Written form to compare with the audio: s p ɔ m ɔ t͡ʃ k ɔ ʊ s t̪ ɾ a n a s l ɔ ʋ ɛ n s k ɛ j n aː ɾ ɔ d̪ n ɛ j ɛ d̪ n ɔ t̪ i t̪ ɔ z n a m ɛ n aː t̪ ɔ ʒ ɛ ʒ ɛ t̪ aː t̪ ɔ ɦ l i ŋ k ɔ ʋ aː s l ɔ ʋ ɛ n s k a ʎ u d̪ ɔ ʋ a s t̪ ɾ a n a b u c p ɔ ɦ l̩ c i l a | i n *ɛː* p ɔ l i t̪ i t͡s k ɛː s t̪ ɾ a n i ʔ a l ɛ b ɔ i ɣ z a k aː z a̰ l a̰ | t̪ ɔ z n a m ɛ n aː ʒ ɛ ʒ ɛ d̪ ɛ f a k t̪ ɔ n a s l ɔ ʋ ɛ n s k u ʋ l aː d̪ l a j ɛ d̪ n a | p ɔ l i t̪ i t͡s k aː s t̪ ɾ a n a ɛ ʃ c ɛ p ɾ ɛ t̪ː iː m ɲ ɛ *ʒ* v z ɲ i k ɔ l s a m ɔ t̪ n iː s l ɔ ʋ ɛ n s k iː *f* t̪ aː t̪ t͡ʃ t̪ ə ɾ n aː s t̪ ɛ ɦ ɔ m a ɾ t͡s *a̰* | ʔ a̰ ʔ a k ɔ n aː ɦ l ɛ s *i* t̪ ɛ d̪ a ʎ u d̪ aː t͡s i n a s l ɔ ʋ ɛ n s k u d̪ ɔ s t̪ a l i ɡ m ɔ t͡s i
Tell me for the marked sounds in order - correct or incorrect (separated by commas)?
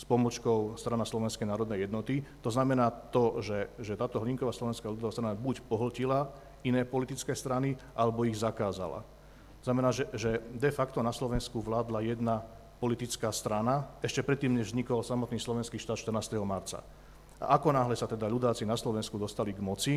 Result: correct, correct, incorrect, correct, incorrect